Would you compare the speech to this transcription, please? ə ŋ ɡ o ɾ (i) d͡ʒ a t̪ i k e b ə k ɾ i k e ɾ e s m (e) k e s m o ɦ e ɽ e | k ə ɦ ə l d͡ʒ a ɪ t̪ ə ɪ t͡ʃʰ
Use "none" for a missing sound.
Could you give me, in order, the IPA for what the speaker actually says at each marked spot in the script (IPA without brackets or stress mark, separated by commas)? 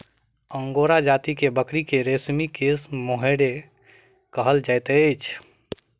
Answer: a, i